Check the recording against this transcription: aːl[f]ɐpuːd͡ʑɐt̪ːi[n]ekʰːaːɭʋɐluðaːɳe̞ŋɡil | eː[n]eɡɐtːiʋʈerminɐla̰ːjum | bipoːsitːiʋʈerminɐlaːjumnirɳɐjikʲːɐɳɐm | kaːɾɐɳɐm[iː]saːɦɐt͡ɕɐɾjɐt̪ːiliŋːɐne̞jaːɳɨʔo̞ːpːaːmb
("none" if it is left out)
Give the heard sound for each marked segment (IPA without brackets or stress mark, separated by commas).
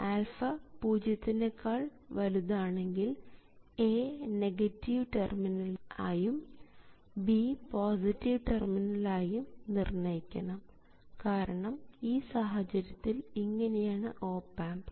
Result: f, n, n, iː